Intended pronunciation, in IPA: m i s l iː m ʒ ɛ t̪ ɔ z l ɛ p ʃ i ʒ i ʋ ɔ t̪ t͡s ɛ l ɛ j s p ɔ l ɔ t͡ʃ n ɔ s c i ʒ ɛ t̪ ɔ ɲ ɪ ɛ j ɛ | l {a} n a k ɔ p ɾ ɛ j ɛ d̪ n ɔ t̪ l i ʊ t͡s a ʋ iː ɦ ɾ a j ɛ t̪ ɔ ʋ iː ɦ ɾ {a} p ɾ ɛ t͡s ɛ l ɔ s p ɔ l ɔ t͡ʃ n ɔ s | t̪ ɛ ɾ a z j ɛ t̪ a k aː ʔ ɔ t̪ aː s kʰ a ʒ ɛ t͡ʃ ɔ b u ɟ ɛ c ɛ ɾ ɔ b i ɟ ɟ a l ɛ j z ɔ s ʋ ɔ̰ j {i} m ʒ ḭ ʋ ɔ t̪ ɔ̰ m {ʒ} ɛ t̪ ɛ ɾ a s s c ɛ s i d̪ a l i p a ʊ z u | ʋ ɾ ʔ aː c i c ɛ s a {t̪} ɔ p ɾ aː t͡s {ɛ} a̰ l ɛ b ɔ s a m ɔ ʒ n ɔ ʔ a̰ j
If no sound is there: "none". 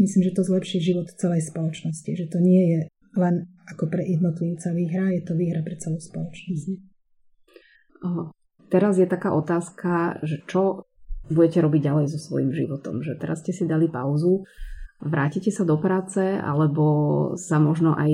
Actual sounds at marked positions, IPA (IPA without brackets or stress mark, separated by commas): ɛ, a, i, ʒ, d̪, ɛ